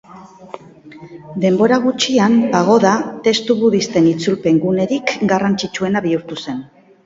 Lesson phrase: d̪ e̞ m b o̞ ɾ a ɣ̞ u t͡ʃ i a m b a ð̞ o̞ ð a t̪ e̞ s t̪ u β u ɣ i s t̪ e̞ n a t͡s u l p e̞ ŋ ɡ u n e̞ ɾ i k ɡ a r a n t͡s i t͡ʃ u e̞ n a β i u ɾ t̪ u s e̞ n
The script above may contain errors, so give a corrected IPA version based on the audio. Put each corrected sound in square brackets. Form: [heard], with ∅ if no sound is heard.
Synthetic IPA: d̪ e̞ m b o̞ ɾ a ɣ̞ u t͡ʃ i a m b a [ɣ̞] o̞ ð a t̪ e̞ s t̪ u β u [ð] i s t̪ e̞ n [i] t͡s u l p e̞ ŋ ɡ u n e̞ ɾ i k ɡ a r a n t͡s i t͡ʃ u e̞ n a β i u ɾ t̪ u s e̞ n